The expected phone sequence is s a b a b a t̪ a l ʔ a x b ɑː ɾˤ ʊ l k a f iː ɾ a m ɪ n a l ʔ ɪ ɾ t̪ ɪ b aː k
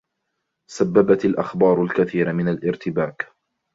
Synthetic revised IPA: s a bː a b a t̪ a l ʔ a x b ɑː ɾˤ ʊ l k a θ iː ɾ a m ɪ n a l ʔ ɪ ɾ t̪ ɪ b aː k